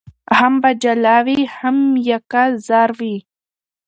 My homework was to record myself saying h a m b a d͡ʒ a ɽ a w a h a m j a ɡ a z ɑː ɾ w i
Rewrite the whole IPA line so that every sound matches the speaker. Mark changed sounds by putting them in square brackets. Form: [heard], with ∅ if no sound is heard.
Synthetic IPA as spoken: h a m b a d͡ʒ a [l] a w [i] h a m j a [k] a z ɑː ɾ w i